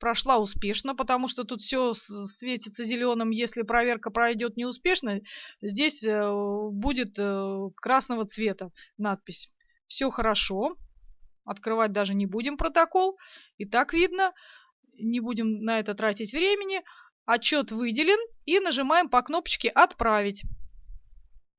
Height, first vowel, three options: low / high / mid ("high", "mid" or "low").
low